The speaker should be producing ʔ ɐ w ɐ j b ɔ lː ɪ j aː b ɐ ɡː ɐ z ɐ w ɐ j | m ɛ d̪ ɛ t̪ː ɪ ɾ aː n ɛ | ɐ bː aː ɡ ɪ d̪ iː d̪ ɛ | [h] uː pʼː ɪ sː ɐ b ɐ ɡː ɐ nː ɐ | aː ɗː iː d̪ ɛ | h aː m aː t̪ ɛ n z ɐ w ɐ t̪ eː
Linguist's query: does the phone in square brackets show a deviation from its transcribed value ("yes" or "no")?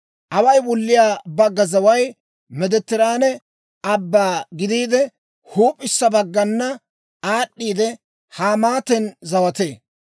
no